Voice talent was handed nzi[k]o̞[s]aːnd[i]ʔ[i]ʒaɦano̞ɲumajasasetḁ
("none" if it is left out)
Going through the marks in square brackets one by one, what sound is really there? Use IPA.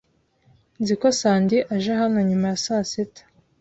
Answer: k, s, i, a

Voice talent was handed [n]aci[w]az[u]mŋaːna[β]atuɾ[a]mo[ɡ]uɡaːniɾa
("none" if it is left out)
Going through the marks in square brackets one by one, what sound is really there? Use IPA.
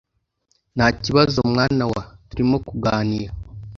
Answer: n, β, o, w, i, k

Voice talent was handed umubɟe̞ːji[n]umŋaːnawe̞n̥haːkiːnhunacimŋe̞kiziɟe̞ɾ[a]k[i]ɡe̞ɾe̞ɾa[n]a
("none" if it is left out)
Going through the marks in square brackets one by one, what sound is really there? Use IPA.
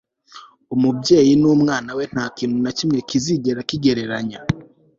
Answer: n, a, i, ɲ

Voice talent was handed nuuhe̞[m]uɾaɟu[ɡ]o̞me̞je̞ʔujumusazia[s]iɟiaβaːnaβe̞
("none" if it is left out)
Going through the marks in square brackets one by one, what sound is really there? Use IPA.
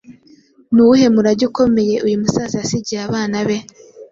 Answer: m, k, s

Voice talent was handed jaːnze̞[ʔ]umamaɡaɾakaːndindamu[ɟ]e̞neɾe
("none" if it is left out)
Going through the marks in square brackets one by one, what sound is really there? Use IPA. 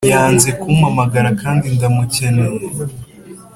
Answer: k, c

